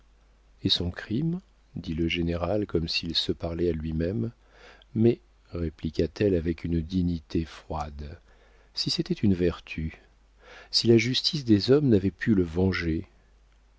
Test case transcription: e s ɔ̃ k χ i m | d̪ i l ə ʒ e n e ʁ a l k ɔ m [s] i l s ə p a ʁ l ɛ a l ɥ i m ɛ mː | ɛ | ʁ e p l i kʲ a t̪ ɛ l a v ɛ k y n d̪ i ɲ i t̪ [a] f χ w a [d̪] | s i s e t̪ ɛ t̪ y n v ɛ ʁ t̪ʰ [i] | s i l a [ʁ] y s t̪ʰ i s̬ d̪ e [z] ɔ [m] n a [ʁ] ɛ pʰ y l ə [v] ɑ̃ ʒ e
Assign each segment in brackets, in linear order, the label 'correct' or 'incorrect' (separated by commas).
correct, incorrect, correct, incorrect, incorrect, correct, correct, incorrect, correct